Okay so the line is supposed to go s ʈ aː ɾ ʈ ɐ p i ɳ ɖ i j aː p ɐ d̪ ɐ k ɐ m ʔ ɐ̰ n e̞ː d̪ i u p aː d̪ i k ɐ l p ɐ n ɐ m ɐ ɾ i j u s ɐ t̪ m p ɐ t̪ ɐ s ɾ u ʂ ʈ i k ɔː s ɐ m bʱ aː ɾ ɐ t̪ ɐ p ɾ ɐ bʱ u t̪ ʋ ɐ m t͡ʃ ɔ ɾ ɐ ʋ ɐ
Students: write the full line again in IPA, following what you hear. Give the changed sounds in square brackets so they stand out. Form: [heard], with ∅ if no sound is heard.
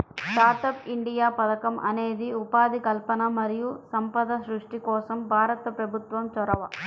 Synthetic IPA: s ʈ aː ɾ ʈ ɐ p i ɳ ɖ i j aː p ɐ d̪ ɐ k ɐ m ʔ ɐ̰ n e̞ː d̪ i u p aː d̪ i k ɐ l p ɐ n ɐ m ɐ ɾ i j u s ɐ [∅] m p ɐ [d̪] ɐ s ɾ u ʂ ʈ i k ɔː s ɐ m bʱ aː ɾ ɐ t̪ ɐ p ɾ ɐ bʱ u t̪ ʋ ɐ m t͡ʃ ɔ ɾ ɐ ʋ ɐ

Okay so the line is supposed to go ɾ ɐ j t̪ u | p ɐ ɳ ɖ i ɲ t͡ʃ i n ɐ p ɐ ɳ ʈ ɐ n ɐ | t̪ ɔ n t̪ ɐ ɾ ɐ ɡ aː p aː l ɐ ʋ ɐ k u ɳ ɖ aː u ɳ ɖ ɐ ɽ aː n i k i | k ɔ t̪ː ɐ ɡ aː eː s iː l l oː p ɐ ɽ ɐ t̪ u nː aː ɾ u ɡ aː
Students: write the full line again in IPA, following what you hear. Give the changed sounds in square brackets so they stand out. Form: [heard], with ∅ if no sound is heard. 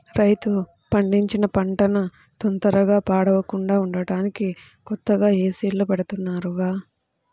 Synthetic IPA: ɾ ɐ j t̪ u | p ɐ ɳ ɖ i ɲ t͡ʃ i n ɐ p ɐ ɳ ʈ ɐ n ɐ | t̪ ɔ n t̪ ɐ ɾ ɐ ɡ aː p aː [ɽ] ɐ ʋ ɐ k u ɳ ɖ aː u ɳ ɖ ɐ ɽ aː n i k i | k ɔ t̪ː ɐ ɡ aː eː s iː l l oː p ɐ ɽ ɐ t̪ u nː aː ɾ u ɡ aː

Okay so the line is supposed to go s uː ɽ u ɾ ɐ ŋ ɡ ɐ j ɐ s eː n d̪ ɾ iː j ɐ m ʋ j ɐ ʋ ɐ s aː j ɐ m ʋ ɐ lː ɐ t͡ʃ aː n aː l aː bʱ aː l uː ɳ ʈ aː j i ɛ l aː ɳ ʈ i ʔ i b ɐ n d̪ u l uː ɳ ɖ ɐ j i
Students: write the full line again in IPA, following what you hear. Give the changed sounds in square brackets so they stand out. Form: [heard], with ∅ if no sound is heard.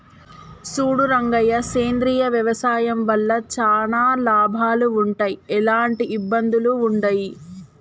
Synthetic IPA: s uː ɽ u ɾ ɐ ŋ ɡ ɐ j ɐ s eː n d̪ ɾ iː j ɐ [∅] ʋ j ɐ ʋ ɐ s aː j ɐ m ʋ ɐ lː ɐ t͡ʃ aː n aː l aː bʱ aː l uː ɳ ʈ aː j i ɛ l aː ɳ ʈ i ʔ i [bː] ɐ n d̪ u l uː ɳ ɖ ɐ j i

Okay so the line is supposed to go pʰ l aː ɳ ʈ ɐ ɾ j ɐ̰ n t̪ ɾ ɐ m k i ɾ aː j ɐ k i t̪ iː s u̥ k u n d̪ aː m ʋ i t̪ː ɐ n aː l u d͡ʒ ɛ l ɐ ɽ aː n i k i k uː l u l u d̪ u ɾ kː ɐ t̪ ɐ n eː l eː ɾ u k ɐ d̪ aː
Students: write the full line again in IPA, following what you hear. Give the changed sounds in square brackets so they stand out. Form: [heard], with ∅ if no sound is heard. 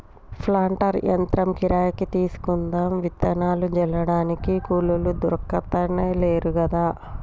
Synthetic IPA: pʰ l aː ɳ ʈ ɐ ɾ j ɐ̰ n t̪ ɾ ɐ m k i ɾ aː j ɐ k i t̪ iː s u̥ k u n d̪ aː m ʋ i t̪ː ɐ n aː l u d͡ʒ ɛ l ɐ ɽ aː n i k i k uː l u l u d̪ u ɾ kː ɐ t̪ ɐ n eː l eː ɾ u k ɐ d̪ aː

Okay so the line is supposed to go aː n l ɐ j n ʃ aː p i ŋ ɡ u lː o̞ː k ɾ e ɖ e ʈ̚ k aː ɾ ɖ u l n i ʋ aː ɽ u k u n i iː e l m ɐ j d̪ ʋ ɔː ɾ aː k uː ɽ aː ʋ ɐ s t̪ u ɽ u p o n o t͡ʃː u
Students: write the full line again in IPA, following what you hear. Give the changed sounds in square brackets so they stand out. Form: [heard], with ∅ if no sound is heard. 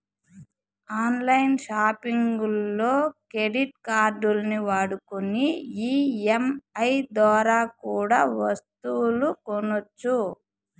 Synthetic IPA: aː n l ɐ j n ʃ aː p i ŋ ɡ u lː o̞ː k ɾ e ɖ [i] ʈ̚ k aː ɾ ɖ u l n i ʋ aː ɽ u k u n i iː e [∅] m ɐ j d̪ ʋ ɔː ɾ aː k uː ɽ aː ʋ ɐ s t̪ u [l] u [k] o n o t͡ʃː u

